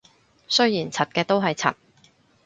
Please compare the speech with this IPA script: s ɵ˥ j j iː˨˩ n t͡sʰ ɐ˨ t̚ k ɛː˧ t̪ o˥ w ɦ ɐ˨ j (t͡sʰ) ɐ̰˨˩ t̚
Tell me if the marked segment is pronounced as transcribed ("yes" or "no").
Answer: yes